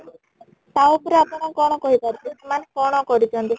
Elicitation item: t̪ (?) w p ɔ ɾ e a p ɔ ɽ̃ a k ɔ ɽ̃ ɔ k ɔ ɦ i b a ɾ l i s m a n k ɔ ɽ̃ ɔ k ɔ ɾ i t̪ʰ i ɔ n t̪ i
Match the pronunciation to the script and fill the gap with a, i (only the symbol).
a